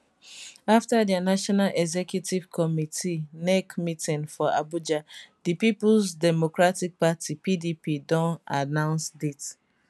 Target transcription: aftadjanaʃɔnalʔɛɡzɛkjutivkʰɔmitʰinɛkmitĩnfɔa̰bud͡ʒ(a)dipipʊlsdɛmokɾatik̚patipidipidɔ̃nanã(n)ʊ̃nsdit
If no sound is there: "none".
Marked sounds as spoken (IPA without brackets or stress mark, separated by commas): a, none